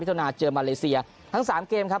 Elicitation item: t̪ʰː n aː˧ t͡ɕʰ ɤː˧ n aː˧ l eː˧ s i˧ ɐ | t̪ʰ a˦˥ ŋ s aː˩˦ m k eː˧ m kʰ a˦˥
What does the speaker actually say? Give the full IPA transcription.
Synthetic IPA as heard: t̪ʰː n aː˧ t͡ɕ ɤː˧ m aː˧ l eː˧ s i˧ ɐ | t̪ʰ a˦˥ ŋ s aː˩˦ m k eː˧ m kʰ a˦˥

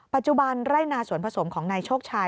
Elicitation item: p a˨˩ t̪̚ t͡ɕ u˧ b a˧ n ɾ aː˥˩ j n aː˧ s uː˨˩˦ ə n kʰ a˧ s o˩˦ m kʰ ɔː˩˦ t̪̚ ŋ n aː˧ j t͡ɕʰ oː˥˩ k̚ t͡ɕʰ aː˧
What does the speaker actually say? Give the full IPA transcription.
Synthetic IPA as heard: p a˨˩ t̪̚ t͡ɕ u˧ b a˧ n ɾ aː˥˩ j n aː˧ s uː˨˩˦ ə n pʰ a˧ s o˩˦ m kʰ ɔː˩˦ ŋ n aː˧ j t͡ɕʰ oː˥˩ k̚ t͡ɕʰ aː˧

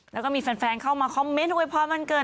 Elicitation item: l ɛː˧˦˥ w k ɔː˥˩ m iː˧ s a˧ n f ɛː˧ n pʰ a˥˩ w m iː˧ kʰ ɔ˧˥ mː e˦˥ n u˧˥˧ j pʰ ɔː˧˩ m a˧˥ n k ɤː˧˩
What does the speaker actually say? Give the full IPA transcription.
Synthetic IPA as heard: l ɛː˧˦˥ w k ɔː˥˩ m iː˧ f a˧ n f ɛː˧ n kʰ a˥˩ w m aː˧ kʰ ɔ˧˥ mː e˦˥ n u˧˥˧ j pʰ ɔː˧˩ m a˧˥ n k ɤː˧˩

